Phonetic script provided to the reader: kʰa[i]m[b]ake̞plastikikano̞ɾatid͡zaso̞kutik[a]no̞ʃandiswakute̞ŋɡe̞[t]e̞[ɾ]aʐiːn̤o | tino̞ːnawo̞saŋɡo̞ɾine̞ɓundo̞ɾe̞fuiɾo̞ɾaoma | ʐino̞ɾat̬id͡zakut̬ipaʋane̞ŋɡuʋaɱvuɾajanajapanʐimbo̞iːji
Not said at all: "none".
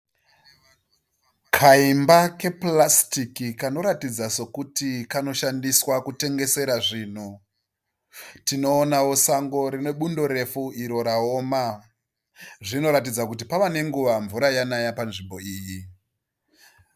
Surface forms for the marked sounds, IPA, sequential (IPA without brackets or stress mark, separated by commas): i, b, a, s, ɾ